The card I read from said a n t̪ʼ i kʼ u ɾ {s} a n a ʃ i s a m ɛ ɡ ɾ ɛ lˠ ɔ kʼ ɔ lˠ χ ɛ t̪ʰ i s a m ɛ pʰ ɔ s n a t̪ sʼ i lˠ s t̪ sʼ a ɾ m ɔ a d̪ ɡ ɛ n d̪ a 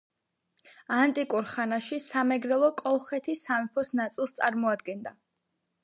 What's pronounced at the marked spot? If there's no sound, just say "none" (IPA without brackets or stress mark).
χ